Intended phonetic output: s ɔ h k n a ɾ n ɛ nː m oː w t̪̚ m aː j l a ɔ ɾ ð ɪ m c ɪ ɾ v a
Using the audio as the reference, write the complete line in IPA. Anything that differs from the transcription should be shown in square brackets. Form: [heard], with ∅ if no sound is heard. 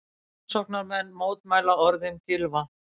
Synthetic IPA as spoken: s ɔ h k n a ɾ [m] ɛ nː m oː w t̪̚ m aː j l a ɔ ɾ ð ɪ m c ɪ [l] v a